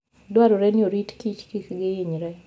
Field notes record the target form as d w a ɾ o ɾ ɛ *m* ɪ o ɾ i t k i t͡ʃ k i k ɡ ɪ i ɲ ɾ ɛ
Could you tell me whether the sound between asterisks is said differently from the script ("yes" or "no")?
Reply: yes